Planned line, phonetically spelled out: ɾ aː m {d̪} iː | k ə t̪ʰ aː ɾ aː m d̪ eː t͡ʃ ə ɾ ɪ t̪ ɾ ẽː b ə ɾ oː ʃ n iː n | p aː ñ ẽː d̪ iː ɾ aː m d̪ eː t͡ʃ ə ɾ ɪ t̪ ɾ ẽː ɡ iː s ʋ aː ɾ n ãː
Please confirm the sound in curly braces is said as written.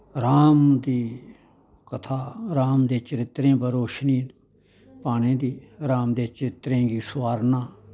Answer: yes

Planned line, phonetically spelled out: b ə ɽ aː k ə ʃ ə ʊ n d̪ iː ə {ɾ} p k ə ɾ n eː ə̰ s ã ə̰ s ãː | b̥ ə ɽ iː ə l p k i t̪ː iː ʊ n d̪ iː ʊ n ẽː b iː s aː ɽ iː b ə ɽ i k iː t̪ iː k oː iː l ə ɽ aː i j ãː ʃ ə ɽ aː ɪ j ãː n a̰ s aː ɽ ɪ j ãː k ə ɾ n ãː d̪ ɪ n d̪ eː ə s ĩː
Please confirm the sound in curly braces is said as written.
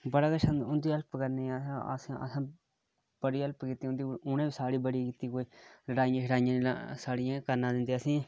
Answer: no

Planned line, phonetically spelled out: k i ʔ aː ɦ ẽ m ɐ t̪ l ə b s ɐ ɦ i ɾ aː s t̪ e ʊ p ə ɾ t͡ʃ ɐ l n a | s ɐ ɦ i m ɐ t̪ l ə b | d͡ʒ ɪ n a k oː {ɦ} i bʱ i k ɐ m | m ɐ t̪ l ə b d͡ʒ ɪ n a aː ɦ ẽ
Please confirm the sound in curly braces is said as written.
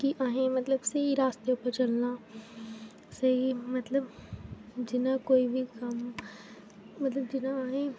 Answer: no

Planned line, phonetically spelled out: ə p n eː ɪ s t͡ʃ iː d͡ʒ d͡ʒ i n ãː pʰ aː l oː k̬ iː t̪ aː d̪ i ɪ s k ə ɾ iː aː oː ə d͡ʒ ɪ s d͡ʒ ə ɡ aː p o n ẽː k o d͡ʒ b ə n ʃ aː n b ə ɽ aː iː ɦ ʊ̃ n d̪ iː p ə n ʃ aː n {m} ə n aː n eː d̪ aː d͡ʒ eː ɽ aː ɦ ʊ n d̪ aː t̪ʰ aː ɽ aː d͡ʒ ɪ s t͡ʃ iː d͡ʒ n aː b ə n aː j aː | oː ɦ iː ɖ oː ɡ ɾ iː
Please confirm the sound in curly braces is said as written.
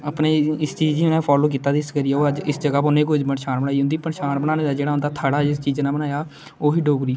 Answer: no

